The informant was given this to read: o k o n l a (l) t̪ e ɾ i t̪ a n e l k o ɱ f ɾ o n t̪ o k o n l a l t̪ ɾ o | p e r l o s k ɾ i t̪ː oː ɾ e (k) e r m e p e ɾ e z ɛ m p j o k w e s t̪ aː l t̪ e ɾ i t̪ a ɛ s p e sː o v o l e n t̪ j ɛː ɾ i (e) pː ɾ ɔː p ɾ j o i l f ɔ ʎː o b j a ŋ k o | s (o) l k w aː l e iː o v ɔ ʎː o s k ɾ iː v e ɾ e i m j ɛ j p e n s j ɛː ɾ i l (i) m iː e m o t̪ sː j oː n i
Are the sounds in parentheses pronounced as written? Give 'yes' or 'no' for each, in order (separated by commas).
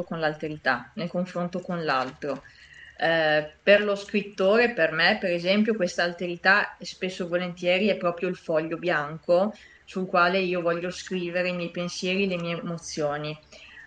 yes, no, no, no, no